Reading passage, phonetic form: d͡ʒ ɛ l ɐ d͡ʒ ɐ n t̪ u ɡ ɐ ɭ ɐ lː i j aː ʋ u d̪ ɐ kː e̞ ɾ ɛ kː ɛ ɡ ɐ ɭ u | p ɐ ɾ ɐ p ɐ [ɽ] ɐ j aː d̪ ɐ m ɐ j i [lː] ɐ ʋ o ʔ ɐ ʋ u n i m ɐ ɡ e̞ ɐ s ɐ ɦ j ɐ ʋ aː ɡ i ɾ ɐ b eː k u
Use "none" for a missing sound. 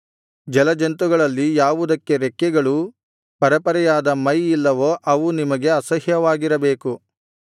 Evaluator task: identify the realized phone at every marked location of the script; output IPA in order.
ɾ, lː

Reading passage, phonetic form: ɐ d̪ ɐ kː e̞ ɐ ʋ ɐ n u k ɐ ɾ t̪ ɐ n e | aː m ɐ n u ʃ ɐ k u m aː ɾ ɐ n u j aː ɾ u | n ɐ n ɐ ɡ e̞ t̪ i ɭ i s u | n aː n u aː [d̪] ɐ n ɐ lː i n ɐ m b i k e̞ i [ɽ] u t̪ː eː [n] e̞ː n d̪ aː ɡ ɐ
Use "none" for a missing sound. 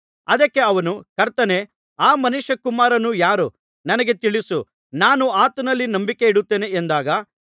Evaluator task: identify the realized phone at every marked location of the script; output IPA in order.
t̪, ɽ, n

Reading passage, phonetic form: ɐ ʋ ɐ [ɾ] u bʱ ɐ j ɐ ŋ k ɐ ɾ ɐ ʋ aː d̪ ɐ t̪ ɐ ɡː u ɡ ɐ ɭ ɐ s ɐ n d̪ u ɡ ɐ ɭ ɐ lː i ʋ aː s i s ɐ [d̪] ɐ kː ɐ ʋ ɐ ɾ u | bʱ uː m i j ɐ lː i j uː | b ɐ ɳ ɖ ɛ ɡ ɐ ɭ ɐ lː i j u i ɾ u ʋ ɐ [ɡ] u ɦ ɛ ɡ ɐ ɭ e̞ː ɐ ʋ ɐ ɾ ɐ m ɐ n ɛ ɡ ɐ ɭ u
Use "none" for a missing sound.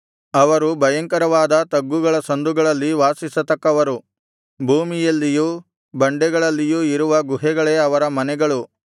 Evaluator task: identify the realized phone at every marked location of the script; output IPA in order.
ɾ, t̪, ɡ

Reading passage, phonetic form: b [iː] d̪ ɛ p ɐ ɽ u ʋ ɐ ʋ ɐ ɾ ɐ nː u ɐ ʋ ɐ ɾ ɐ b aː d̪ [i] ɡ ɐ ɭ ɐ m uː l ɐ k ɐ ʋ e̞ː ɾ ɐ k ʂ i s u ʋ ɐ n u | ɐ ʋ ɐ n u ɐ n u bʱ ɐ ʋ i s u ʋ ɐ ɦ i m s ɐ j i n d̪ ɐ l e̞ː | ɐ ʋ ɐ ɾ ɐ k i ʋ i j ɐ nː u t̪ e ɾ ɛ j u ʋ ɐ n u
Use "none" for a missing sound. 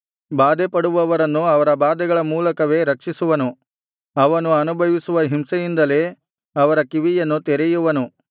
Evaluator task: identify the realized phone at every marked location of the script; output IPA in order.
aː, ɛ

